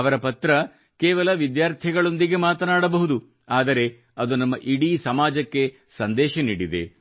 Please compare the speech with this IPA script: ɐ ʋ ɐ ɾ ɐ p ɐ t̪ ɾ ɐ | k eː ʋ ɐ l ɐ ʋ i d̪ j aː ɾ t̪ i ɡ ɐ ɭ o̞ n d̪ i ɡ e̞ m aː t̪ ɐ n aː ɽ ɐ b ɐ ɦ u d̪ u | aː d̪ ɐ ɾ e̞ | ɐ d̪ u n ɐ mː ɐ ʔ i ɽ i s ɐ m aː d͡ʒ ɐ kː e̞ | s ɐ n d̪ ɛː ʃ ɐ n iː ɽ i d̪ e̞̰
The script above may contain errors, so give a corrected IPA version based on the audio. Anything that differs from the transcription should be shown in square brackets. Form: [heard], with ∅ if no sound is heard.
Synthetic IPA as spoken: ɐ ʋ ɐ ɾ ɐ p ɐ t̪ ɾ ɐ | k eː ʋ ɐ l ɐ ʋ i d̪ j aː ɾ [t̪ʰ] i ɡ ɐ ɭ o̞ n d̪ i ɡ e̞ m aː t̪ ɐ n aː ɽ ɐ b ɐ ɦ u d̪ u | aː d̪ ɐ ɾ e̞ | ɐ d̪ u n ɐ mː ɐ ʔ i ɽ i s ɐ m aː d͡ʒ ɐ kː e̞ | s ɐ n d̪ ɛː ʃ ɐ n iː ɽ i d̪ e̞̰